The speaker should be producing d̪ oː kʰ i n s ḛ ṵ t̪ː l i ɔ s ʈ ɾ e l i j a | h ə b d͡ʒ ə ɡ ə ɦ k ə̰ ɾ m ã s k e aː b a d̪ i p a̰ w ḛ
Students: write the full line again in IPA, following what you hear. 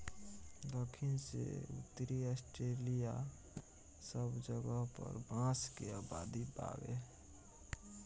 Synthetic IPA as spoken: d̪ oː kʰ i n s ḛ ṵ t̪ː ɾ i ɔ s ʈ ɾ e l i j a | s ə b d͡ʒ ə ɡ ə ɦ p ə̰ ɾ b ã s k e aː b a d̪ i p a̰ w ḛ